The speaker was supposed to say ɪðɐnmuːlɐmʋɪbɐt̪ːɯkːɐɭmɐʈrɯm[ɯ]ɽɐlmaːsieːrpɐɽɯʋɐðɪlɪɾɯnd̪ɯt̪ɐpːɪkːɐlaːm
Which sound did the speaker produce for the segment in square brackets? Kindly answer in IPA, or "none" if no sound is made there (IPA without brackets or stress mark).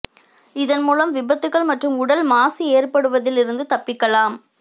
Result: ʊ